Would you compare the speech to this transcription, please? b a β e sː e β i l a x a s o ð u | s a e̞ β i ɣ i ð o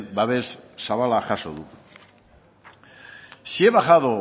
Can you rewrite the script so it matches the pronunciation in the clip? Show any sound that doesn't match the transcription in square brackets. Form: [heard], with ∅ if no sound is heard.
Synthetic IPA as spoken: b a β e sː [a] β [a] l a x a s o ð u | s [i] e̞ β [a] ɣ [a] ð o